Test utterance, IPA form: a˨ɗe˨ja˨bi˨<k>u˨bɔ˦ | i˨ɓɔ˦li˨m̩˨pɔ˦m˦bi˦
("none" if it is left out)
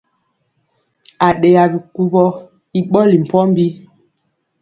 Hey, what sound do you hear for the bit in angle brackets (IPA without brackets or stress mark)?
k